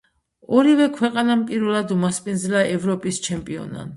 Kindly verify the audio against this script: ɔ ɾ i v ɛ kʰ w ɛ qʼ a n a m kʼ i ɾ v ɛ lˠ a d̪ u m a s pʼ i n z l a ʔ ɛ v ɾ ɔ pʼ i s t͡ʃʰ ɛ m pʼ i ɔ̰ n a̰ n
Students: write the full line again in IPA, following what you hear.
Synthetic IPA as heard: ɔ ɾ i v ɛ kʰ w ɛ qʼ a n a m pʼ i ɾ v ɛ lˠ a d̪ u m a s pʼ i n z l a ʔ ɛ v ɾ ɔ pʼ i s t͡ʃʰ ɛ m pʼ i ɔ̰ n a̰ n